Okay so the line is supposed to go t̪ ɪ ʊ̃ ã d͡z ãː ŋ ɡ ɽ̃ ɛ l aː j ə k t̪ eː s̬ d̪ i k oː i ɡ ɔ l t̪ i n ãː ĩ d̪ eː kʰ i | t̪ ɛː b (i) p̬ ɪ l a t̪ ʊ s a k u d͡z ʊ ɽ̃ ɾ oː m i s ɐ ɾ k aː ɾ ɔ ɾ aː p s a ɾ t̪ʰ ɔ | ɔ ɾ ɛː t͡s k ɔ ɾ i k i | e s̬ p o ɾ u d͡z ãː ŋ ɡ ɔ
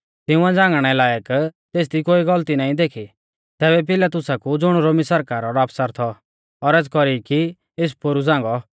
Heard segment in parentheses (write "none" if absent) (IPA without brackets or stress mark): ɛ